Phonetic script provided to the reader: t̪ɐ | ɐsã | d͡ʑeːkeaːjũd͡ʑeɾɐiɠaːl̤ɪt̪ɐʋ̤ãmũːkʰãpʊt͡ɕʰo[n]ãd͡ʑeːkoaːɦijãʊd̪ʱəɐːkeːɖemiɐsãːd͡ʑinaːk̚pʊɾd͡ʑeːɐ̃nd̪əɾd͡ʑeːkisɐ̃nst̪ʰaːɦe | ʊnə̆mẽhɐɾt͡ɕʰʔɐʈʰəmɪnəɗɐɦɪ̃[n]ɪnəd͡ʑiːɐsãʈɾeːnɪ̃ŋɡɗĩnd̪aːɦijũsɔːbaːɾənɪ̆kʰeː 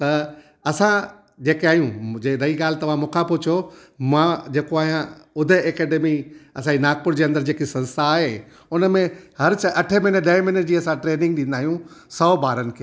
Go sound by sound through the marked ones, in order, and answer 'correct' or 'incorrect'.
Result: incorrect: m, incorrect: m

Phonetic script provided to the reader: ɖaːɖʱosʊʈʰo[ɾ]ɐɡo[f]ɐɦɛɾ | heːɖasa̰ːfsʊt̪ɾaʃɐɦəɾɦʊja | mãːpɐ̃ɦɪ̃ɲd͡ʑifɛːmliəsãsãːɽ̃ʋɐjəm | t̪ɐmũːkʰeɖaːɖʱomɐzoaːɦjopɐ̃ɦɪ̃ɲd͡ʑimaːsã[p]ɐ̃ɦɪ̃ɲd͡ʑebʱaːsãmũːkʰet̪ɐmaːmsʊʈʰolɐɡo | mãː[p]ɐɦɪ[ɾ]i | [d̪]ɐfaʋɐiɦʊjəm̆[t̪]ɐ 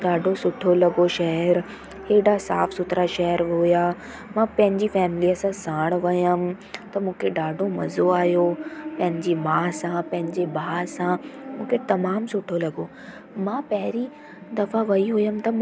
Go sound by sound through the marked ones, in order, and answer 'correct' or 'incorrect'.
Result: incorrect: l, incorrect: ʃ, correct, correct, correct, correct, correct

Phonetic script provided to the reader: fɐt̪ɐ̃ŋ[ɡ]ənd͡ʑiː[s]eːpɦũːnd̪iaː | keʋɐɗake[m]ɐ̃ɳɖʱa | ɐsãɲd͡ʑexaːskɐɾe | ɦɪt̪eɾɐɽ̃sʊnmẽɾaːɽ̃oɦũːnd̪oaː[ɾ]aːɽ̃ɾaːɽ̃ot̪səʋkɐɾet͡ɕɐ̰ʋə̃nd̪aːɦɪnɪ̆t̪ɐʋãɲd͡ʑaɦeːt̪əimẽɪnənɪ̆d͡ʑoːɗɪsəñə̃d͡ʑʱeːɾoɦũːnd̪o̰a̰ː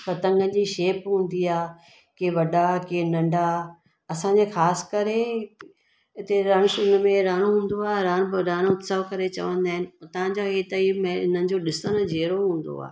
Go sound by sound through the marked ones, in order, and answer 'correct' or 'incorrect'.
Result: correct, incorrect: ʃ, incorrect: n, correct

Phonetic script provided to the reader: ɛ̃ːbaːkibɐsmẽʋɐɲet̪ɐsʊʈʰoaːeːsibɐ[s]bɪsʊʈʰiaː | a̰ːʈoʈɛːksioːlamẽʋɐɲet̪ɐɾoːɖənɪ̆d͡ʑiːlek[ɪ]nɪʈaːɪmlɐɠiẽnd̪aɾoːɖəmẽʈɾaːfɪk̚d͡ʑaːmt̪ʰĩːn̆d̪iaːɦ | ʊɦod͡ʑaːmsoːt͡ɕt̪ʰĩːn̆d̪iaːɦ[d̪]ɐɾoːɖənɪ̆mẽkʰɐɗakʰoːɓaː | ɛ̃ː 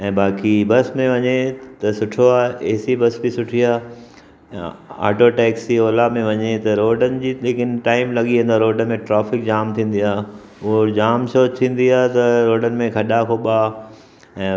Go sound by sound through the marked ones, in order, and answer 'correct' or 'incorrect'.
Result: correct, correct, incorrect: t̪

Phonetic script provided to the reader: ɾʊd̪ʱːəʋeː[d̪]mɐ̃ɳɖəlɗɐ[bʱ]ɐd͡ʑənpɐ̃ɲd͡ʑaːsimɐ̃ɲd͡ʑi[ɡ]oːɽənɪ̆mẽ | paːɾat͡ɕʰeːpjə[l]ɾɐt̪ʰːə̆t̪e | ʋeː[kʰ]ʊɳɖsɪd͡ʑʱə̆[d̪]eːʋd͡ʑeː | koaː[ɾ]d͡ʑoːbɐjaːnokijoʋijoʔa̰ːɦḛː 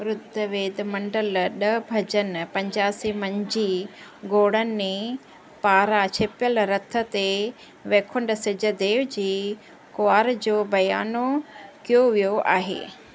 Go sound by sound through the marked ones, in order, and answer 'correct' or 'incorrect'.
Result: correct, correct, correct, correct, correct, correct, correct

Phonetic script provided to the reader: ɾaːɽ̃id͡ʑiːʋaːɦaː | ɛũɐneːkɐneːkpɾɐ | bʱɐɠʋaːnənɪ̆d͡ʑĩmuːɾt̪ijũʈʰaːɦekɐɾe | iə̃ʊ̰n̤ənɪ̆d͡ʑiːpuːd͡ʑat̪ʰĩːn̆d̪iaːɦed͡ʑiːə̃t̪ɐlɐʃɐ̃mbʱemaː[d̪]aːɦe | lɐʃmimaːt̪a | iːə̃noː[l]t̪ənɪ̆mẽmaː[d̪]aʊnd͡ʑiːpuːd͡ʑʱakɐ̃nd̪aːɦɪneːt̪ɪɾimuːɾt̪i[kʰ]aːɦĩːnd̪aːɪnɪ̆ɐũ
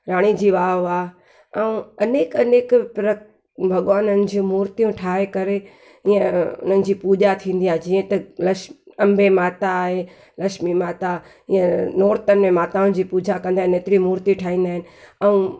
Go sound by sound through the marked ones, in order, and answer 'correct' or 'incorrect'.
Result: incorrect: t̪, incorrect: ɾ, incorrect: t̪, incorrect: ʈʰ

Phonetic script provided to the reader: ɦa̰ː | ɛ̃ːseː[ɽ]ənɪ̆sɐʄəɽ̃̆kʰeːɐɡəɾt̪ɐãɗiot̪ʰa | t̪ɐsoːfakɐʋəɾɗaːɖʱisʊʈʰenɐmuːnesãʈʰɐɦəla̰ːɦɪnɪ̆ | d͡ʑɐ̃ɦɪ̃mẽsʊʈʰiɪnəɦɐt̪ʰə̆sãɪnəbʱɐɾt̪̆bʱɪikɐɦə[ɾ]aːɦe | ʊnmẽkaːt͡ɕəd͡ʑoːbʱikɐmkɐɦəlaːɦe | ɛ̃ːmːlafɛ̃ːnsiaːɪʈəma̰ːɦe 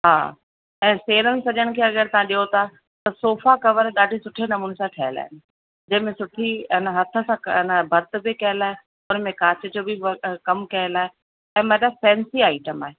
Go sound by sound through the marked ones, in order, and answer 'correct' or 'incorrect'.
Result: incorrect: ɾ, incorrect: l

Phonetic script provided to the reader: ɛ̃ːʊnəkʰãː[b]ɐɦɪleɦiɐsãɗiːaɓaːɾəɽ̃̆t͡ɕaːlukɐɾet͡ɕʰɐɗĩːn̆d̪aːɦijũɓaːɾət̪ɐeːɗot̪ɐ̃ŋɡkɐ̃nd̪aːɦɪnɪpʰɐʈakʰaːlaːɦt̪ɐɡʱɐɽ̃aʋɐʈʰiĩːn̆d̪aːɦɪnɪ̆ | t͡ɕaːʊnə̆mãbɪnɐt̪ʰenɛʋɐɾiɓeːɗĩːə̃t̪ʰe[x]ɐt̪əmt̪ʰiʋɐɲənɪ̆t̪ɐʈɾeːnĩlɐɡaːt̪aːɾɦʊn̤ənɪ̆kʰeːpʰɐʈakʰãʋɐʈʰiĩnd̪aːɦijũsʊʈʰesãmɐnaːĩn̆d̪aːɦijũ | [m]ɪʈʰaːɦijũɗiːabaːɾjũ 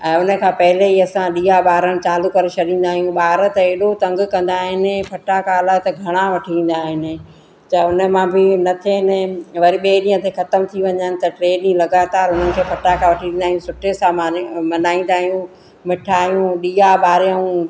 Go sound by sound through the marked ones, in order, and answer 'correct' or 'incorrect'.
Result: incorrect: p, correct, correct

